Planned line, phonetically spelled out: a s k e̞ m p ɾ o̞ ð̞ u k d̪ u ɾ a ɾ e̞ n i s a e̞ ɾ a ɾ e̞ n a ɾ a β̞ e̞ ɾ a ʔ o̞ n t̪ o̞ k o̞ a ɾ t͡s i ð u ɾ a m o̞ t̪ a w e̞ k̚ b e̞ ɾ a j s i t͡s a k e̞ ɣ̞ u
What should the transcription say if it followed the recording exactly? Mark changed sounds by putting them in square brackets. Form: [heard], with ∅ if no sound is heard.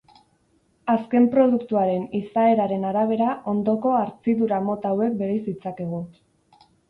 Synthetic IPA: a s k e̞ m p ɾ o̞ ð̞ u k [t̪] u [∅] a ɾ e̞ n i s a e̞ ɾ a ɾ e̞ n a ɾ a β̞ e̞ ɾ a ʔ o̞ n [d̪] o̞ k o̞ a ɾ t͡s i ð u ɾ a m o̞ t̪ a w e̞ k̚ b e̞ ɾ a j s i t͡s a k e̞ ɣ̞ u